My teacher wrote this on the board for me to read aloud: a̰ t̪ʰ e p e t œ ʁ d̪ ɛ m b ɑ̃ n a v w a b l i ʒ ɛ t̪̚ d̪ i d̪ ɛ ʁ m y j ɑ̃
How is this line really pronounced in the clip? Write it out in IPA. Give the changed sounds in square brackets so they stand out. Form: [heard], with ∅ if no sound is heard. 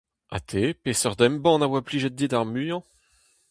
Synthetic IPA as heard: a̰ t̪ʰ e p e [s] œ ʁ d̪ ɛ m b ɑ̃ n a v w a [p] l i ʒ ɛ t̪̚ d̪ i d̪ [a] ʁ m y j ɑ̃